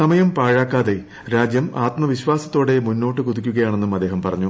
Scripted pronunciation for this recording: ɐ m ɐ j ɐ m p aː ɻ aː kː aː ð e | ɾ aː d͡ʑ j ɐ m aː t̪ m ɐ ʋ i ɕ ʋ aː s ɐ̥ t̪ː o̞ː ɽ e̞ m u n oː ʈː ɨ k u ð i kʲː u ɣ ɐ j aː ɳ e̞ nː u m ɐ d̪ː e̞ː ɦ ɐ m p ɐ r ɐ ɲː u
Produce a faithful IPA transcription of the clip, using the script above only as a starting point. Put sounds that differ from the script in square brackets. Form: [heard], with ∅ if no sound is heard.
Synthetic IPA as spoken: ɐ m ɐ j ɐ m p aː ɻ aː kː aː ð e | ɾ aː d͡ʑ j ɐ m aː t̪ m ɐ ʋ i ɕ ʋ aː s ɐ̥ t̪ː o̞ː ɽ e̞ m u [nː] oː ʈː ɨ k u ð i kʲː u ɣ ɐ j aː ɳ e̞ nː u m ɐ d̪ː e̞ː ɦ ɐ m p ɐ r ɐ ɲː u

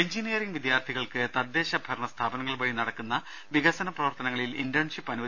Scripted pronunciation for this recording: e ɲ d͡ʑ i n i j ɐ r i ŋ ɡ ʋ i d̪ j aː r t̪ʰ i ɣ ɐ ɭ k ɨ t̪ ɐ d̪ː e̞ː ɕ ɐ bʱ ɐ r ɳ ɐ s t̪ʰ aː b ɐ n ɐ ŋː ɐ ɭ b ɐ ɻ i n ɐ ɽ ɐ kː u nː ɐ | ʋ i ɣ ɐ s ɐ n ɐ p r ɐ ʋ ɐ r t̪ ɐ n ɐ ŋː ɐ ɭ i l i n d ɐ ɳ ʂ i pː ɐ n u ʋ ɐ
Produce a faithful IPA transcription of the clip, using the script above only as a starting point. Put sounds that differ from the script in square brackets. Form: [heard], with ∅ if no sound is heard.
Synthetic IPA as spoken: e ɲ d͡ʑ i n i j ɐ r i ŋ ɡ ʋ i d̪ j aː r t̪ʰ i ɣ ɐ ɭ k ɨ t̪ ɐ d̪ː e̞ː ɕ ɐ bʱ ɐ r ɳ ɐ s t̪ʰ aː b ɐ n ɐ ŋː ɐ ɭ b ɐ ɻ i n ɐ ɽ ɐ kː u nː ɐ | ʋ i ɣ ɐ s ɐ n ɐ p r ɐ ʋ ɐ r t̪ ɐ n ɐ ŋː ɐ ɭ i l i n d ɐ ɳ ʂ i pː ɐ n u ʋ ɐ

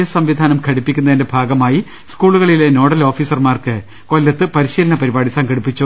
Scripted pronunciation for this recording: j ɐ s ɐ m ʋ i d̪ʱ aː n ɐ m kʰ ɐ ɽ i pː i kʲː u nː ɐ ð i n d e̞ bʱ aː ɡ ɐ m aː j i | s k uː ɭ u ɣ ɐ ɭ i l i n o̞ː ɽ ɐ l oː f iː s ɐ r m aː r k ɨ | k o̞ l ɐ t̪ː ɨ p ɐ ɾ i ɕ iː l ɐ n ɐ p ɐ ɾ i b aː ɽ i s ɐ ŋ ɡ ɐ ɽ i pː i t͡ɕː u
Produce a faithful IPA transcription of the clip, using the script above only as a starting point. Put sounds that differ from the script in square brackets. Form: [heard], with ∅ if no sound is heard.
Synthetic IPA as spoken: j ɐ s ɐ m ʋ i d̪ʱ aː n ɐ m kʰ ɐ ɽ i pː i kʲː u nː ɐ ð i n d e̞ bʱ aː ɡ ɐ m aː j i | s k uː ɭ u ɣ ɐ ɭ i l [e] n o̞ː ɽ ɐ l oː f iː s ɐ r m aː r k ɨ | k o̞ [lː] ɐ t̪ː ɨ p ɐ ɾ i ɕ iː l ɐ n ɐ p ɐ ɾ i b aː ɽ i s ɐ ŋ ɡ ɐ ɽ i pː i t͡ɕː u

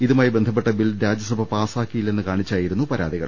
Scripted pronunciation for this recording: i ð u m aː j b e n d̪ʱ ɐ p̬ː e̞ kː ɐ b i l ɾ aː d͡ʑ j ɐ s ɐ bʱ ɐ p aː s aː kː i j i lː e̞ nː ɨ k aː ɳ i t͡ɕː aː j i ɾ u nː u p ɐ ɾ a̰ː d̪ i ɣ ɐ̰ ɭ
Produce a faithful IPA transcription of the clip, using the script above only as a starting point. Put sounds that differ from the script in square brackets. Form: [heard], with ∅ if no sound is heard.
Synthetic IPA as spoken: i ð u m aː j b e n d̪ʱ ɐ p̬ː e̞ [ʈː] ɐ b i l ɾ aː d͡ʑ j ɐ s ɐ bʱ ɐ p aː s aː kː i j i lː e̞ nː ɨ k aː ɳ i t͡ɕː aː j i ɾ u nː u p ɐ ɾ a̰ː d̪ i ɣ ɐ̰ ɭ

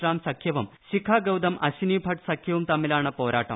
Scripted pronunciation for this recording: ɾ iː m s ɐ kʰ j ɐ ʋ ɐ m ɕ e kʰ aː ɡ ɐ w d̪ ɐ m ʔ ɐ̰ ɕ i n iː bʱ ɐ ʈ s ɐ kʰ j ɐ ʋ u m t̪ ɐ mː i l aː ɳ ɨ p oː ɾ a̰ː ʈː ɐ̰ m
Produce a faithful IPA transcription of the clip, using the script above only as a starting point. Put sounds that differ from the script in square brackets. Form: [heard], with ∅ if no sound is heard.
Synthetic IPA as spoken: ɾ [aː] m s ɐ kʰ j ɐ ʋ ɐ m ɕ [i] kʰ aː ɡ ɐ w d̪ ɐ m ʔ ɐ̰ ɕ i n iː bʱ ɐ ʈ s ɐ kʰ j ɐ ʋ u m t̪ ɐ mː i l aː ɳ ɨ p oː ɾ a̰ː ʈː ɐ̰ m

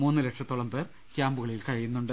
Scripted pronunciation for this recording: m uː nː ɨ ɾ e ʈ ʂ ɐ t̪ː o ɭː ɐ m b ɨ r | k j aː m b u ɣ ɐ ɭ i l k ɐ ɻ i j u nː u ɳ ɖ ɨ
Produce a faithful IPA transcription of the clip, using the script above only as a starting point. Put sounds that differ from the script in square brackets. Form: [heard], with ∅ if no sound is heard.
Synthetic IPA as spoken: m uː nː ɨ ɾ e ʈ ʂ ɐ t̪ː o [ɭ] ɐ m b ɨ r | k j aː m b u ɣ ɐ ɭ i l k ɐ ɻ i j u nː u ɳ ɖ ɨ

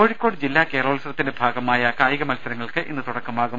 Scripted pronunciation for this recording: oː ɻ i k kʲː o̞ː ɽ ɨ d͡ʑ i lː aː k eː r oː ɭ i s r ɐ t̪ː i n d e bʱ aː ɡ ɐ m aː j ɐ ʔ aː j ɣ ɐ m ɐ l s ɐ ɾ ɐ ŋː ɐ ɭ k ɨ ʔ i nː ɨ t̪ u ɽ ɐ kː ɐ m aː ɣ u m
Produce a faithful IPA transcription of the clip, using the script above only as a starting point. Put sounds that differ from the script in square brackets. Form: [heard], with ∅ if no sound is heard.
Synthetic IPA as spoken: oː ɻ i k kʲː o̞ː ɽ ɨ d͡ʑ i lː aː k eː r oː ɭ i s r ɐ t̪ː i n d e bʱ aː ɡ ɐ m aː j ɐ [k] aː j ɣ ɐ m ɐ l s ɐ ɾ ɐ ŋː ɐ ɭ k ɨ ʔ i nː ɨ t̪ u ɽ ɐ kː ɐ m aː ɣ u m

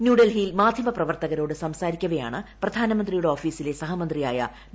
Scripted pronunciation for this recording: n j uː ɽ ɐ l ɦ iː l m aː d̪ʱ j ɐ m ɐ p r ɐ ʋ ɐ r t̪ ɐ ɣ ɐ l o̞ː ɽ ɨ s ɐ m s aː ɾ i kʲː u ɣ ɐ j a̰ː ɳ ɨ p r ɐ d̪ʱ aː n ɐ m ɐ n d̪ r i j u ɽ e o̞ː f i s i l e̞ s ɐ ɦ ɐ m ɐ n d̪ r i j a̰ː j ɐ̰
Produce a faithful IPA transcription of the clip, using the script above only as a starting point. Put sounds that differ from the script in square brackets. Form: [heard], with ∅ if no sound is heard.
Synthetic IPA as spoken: n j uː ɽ ɐ l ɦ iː l m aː d̪ʱ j ɐ m ɐ p r ɐ ʋ ɐ r t̪ ɐ ɣ ɐ [ɾ] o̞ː ɽ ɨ s ɐ m s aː ɾ i kʲː u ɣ ɐ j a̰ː ɳ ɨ p r ɐ d̪ʱ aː n ɐ m ɐ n d̪ r i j u ɽ e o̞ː f [iː] s i l e̞ s ɐ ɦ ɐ m ɐ n d̪ r i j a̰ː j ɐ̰

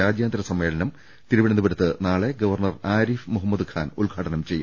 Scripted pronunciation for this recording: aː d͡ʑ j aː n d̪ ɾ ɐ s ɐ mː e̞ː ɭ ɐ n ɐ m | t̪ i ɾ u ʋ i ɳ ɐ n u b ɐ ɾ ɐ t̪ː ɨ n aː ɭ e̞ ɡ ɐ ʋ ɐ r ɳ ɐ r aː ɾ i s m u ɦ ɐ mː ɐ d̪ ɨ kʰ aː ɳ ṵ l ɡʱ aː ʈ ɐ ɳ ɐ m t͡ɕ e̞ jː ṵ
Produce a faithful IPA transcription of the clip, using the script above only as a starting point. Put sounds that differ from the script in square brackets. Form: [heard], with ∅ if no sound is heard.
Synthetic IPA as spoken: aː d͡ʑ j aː n d̪ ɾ ɐ s ɐ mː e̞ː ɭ ɐ n ɐ m | t̪ i ɾ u ʋ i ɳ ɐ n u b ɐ ɾ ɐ t̪ː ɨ n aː ɭ e̞ ɡ ɐ ʋ ɐ r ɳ ɐ r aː ɾ i [f] m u ɦ ɐ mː ɐ d̪ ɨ kʰ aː [n] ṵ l ɡʱ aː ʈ ɐ [n] ɐ m t͡ɕ e̞ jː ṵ

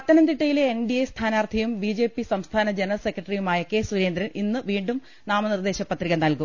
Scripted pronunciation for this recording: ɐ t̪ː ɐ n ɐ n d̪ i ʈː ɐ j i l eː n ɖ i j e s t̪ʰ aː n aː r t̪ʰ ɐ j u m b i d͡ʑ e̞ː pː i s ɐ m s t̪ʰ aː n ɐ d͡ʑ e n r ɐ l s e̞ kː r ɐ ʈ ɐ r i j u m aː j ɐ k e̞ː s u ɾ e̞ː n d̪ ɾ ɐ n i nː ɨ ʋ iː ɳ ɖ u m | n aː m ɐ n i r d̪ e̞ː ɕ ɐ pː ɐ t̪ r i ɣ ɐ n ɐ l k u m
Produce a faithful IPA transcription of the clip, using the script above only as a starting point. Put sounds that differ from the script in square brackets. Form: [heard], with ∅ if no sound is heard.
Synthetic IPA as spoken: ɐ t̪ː ɐ n ɐ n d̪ i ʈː ɐ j i l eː n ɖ i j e s t̪ʰ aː n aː r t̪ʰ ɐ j u m b i d͡ʑ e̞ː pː i s ɐ m s t̪ʰ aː n ɐ d͡ʑ e n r ɐ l s e̞ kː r ɐ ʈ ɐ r i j u m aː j ɐ k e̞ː s u ɾ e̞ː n d̪ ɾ ɐ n i nː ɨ ʋ iː ɳ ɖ u m | n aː m ɐ n i r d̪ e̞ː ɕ ɐ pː ɐ t̪ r i ɣ ɐ n ɐ l k u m

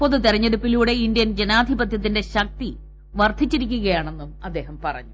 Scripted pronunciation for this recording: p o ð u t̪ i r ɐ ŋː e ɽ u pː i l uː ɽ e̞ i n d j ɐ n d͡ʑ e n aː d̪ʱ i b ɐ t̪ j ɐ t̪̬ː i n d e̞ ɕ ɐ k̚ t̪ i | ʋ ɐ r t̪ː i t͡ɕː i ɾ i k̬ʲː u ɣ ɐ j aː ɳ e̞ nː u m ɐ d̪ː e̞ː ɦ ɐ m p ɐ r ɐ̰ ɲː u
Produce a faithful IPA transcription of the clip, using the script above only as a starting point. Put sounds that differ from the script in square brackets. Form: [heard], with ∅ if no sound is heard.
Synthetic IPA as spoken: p o ð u t̪ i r ɐ [ɲː] e ɽ u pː i l uː ɽ e̞ i n d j ɐ n d͡ʑ e n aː d̪ʱ i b ɐ t̪ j ɐ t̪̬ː i n d e̞ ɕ ɐ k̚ t̪ i | ʋ ɐ r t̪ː i t͡ɕː i ɾ i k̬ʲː u ɣ ɐ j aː ɳ e̞ nː u m ɐ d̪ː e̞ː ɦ ɐ m p ɐ r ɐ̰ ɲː u

